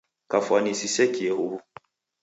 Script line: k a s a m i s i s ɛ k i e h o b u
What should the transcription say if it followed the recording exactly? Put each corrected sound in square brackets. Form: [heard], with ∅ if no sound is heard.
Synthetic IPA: k a [f] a [n] i s i s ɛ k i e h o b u